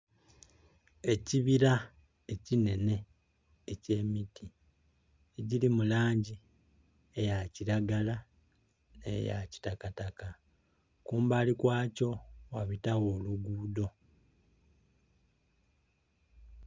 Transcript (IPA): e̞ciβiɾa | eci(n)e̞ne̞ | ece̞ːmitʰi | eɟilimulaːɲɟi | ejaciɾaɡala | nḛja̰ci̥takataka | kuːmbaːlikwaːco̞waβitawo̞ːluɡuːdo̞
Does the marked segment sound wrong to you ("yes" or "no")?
no